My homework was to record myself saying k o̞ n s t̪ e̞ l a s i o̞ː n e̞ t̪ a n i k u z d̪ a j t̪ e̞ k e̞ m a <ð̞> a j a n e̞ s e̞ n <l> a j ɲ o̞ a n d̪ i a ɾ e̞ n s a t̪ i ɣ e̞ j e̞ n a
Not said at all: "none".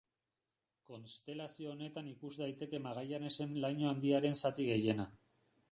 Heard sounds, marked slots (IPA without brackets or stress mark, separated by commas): ɣ̞, l